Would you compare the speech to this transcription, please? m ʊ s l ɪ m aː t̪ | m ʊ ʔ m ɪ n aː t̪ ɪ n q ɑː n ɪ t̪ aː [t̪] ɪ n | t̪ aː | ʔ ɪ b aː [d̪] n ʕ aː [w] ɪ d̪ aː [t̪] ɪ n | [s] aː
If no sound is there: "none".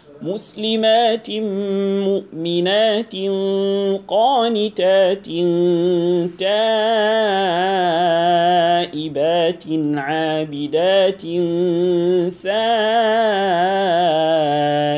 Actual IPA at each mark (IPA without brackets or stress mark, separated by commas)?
t̪, t̪, b, t̪, s